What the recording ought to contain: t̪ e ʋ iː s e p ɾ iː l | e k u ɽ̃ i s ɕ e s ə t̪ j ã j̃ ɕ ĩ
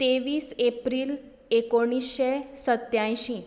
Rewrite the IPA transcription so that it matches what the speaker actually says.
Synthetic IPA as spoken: t̪ e ʋ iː s e p ɾ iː l | e k o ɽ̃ i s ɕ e s ə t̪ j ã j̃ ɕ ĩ